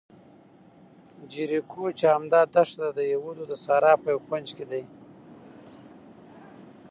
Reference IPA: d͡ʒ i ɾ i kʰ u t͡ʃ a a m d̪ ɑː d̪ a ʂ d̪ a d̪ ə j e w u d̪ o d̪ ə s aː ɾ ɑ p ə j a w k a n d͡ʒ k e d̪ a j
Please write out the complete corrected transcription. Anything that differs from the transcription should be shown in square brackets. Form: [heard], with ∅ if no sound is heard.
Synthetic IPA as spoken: d͡ʒ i ɾ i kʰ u t͡ʃ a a m d̪ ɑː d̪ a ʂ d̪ a d̪ ə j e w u d̪ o d̪ ə s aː ɾ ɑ p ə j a w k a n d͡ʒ k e d̪ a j